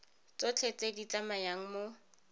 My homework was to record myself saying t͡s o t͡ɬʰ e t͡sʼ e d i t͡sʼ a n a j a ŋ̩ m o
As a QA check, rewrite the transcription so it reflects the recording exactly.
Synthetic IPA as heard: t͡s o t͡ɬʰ e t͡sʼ e d i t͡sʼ a m a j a ŋ̩ m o